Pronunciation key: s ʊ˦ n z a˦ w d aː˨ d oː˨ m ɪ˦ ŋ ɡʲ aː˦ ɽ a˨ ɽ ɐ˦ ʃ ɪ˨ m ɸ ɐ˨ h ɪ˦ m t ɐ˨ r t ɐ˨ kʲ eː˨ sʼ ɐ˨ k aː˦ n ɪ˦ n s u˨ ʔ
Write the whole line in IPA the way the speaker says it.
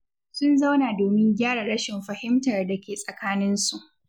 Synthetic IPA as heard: s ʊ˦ n z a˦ w n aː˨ d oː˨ m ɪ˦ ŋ ɡʲ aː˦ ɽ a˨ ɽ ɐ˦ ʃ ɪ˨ m ɸ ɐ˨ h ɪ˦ m t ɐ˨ r d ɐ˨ kʲ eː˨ sʼ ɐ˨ k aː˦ n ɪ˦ n s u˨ ʔ